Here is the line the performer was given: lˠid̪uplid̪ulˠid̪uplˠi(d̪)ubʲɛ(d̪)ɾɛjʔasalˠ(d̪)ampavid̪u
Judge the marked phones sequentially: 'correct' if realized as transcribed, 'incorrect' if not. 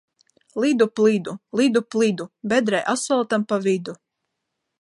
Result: correct, correct, incorrect: t̪

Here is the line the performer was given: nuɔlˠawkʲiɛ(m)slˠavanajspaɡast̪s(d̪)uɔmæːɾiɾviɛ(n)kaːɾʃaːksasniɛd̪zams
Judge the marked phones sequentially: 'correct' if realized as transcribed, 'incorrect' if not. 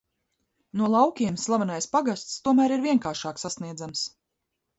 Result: correct, incorrect: t̪, incorrect: ŋ

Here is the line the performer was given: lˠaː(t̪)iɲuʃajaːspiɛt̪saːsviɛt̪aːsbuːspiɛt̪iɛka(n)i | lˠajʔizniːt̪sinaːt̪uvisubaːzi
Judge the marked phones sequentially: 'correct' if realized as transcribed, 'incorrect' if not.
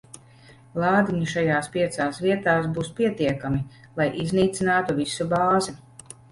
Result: incorrect: d̪, incorrect: m

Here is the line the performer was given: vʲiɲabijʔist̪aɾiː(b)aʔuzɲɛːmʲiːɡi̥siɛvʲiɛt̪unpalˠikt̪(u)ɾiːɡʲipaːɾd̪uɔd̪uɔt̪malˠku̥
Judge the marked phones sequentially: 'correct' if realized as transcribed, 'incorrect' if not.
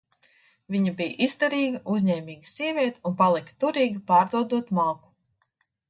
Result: incorrect: ɡ, correct

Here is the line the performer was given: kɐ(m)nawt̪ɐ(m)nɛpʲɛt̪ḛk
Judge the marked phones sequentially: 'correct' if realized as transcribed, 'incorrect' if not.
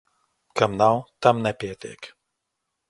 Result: correct, correct

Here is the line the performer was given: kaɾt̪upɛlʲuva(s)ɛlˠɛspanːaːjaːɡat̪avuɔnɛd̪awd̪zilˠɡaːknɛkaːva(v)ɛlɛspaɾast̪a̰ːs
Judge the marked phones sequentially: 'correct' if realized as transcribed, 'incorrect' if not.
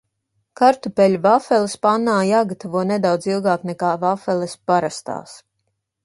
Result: incorrect: f, incorrect: f

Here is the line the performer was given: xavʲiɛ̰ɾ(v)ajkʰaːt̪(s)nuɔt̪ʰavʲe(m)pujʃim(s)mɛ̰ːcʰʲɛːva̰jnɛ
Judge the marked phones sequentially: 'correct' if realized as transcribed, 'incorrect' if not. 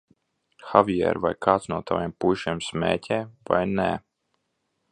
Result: correct, correct, correct, correct

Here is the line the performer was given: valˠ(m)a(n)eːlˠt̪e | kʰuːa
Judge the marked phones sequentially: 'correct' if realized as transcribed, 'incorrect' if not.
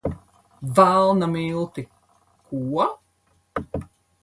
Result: incorrect: n, incorrect: m

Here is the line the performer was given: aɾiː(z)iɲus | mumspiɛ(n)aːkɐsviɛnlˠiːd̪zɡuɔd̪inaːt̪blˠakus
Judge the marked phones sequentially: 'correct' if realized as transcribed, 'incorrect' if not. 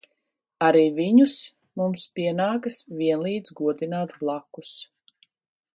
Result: incorrect: v, correct

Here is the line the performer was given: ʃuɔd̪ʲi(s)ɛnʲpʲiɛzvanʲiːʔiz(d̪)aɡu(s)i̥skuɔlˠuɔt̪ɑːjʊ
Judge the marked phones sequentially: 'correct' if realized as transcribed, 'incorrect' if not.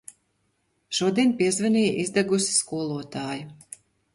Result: incorrect: none, correct, correct

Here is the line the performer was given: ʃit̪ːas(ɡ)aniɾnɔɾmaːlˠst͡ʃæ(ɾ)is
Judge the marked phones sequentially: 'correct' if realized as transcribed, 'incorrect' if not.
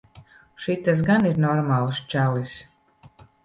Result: correct, incorrect: l

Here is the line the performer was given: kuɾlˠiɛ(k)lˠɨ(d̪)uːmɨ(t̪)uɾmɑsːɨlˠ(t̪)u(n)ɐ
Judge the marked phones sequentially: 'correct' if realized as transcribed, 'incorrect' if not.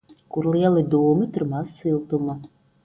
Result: incorrect: none, correct, correct, correct, incorrect: m

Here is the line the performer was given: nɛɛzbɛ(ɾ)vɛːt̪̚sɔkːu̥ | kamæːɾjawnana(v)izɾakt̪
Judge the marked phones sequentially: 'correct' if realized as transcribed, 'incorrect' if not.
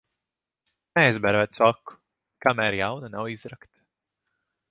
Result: correct, incorrect: w

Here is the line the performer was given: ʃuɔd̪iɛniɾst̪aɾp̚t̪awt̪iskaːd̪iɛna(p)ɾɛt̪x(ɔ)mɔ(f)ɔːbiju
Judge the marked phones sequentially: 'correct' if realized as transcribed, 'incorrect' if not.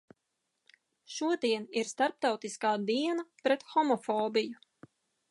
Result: correct, correct, correct

